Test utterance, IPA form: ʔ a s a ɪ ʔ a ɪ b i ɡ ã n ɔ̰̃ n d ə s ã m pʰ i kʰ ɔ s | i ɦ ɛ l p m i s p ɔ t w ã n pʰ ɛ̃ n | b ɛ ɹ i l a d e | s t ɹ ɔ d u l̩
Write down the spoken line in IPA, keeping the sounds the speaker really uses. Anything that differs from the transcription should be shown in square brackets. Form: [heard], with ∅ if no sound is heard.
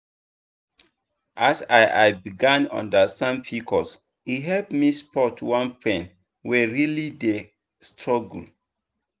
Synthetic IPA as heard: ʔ a s a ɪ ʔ a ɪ b i ɡ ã n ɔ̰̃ n d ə s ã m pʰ i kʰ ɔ s | i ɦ ɛ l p m i s p ɔ t w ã n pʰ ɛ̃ n | [w] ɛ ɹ i l [i] d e | s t ɹ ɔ [ɡ] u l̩